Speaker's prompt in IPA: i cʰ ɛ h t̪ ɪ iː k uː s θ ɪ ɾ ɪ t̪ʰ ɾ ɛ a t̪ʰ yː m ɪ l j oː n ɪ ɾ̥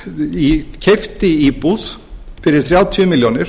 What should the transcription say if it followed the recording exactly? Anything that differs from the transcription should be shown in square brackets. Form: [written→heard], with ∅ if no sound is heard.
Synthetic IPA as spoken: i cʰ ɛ [h→f] t̪ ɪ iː [k→p] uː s [θ→f] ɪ ɾ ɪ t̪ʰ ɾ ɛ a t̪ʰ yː m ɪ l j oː n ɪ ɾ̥